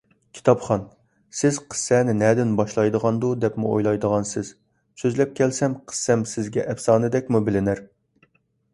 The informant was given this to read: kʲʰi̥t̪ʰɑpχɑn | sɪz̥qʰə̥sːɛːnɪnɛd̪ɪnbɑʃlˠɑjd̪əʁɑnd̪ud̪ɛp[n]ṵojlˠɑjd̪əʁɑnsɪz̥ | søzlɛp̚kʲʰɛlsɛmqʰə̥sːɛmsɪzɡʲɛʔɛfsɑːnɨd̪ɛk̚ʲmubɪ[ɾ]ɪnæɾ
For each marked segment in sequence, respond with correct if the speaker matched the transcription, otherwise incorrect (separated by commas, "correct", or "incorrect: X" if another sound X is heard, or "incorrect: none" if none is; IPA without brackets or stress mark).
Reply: incorrect: m, incorrect: l